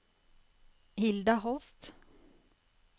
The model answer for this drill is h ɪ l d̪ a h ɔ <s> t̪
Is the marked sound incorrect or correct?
correct